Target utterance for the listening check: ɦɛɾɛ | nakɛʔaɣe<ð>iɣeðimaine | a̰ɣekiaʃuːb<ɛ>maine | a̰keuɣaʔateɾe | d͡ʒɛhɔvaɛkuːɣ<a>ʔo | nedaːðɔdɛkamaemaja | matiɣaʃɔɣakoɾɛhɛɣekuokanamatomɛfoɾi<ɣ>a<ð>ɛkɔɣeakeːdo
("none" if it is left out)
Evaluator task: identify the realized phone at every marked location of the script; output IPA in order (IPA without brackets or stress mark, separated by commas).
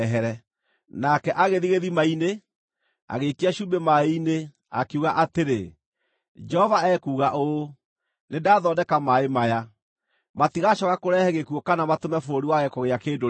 ð, e, a, w, ɣ